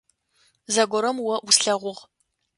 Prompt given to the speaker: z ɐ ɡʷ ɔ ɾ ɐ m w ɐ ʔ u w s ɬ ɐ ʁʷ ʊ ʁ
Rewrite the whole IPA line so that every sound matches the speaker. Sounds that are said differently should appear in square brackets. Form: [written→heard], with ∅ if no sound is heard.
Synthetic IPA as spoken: z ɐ ɡʷ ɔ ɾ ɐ m w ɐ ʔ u [w→∅] s ɬ ɐ ʁʷ ʊ ʁ